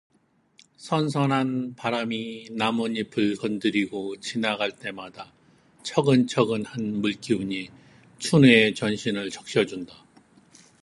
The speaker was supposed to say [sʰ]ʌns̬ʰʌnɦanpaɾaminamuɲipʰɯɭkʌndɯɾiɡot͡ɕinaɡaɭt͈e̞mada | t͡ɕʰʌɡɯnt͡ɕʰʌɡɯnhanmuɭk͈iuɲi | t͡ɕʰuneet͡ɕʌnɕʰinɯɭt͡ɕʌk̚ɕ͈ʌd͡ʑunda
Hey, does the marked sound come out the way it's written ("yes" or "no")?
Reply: yes